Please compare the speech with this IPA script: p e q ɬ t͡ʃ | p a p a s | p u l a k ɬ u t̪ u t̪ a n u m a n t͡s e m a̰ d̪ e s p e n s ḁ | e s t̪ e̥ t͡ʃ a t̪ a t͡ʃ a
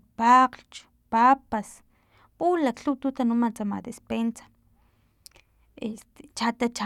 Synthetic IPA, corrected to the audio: p a q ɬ t͡ʃ | p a p a s | p u l a k ɬ u t̪ u t̪ a n u m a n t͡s a m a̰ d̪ e s p e n s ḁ | e s t̪ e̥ t͡ʃ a t̪ a t͡ʃ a